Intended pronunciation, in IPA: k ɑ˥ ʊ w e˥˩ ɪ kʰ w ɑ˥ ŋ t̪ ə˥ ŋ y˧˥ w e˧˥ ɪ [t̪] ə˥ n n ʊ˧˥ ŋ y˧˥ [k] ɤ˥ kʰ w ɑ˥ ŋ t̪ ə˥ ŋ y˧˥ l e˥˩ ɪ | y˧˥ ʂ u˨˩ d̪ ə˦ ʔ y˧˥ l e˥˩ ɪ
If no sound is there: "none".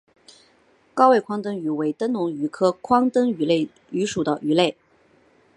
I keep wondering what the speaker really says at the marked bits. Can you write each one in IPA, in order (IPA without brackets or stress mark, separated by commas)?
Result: t̪, kʰ